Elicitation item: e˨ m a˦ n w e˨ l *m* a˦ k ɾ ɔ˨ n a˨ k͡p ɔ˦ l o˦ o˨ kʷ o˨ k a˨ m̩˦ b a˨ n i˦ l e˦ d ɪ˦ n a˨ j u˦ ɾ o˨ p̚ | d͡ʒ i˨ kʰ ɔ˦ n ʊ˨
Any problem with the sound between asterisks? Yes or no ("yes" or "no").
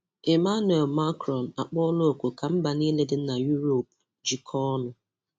no